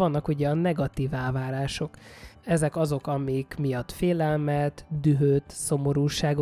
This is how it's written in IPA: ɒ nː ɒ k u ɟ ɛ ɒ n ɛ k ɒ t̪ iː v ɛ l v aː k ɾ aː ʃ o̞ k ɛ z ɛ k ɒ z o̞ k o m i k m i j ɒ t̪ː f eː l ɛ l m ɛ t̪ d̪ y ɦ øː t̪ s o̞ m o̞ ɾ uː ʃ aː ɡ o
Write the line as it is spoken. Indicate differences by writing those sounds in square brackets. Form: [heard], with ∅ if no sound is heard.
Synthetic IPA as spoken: ɒ nː ɒ k u ɟ ɛ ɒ n ɛ [ɡ] ɒ t̪ iː v ɛ l v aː [∅] ɾ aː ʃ o̞ k ɛ z ɛ k ɒ z o̞ k [ɒ] m i k m i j ɒ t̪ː f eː l ɛ l m ɛ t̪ d̪ y ɦ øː t̪ s o̞ m o̞ ɾ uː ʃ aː ɡ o